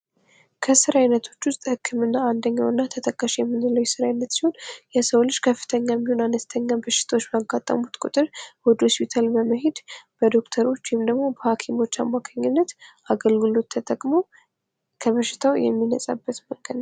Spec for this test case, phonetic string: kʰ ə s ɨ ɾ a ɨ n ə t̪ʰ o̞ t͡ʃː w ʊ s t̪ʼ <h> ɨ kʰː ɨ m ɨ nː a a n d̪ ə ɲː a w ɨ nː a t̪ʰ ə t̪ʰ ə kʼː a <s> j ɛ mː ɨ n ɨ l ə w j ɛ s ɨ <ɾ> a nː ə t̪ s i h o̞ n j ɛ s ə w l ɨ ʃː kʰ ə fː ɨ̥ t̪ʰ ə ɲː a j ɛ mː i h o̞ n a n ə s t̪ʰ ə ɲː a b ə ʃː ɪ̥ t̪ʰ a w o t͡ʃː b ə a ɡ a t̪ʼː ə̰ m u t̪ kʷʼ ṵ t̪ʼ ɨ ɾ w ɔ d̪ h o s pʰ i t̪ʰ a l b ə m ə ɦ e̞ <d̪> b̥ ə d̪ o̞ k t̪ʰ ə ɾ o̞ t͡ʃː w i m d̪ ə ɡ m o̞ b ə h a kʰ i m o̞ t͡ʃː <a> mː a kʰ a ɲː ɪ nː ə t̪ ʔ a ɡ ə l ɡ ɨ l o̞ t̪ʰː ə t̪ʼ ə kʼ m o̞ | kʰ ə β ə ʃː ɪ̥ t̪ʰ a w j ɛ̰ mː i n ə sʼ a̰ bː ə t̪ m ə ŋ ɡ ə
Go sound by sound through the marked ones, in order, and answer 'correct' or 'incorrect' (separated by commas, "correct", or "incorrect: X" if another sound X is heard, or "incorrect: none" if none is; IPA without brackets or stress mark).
correct, incorrect: ʃ, correct, correct, correct